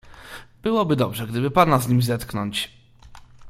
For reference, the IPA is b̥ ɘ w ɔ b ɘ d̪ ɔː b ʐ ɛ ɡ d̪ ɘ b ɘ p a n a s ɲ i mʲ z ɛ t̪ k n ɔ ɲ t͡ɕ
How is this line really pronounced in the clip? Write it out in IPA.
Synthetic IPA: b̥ ɘ w ɔ b ɘ d̪ ɔ b ʐ ɛ ɡ d̪ ɘ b ɘ p a n a z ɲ i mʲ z ɛ t̪ k n ɔ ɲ t͡ɕ